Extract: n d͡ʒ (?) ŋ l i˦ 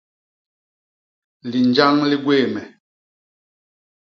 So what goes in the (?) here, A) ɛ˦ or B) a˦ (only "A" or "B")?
B